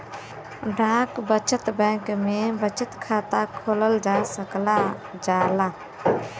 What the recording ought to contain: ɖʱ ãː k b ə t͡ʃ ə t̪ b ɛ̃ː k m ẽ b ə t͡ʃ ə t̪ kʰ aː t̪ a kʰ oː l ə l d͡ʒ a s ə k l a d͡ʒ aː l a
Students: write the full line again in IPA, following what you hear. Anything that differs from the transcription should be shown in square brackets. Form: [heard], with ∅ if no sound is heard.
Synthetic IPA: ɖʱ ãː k b ə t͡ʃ ə t̪ b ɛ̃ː k m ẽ b ə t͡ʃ ə t̪ kʰ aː t̪ a kʰ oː l ə l d͡ʒ a s ə k l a d͡ʒ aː l a